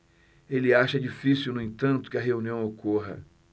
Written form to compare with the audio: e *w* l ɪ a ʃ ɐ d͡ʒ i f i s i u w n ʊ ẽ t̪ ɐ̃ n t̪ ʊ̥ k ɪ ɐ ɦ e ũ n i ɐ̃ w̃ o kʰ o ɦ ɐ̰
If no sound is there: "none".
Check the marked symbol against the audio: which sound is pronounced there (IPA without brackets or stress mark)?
none